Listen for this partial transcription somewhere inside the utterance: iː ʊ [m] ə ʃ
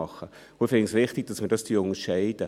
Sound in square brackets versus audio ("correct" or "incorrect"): incorrect